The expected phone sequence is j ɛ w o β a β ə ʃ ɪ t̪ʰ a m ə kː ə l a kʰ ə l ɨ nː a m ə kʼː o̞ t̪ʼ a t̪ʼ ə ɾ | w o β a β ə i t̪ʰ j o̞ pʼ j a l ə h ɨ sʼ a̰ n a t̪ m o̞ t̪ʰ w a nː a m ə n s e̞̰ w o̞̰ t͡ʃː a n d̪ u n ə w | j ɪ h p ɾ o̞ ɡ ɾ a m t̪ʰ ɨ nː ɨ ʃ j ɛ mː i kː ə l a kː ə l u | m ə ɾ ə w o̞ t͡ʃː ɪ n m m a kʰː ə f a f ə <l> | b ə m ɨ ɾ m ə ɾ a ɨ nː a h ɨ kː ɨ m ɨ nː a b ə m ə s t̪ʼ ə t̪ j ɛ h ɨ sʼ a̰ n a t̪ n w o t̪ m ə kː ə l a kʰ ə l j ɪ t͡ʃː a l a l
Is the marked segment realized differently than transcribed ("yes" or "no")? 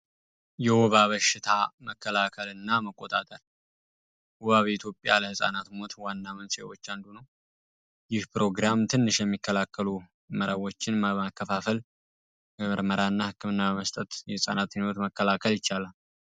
no